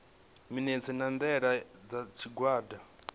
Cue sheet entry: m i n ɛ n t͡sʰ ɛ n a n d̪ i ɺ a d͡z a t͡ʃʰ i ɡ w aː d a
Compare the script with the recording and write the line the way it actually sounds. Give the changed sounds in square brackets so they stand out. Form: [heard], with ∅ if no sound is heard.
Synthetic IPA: m i n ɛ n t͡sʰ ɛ n a n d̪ [ɛ] ɺ a d͡z a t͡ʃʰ i ɡ w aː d a